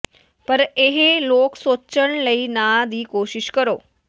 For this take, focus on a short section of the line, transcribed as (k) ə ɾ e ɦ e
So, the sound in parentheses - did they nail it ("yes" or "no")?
no